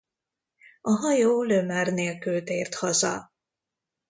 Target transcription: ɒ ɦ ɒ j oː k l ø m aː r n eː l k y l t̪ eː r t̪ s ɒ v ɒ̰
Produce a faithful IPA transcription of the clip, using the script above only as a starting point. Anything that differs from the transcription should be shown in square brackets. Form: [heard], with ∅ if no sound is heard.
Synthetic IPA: ɒ ɦ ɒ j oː [∅] l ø m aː r n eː l k y l t̪ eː r t̪ [h] ɒ [z] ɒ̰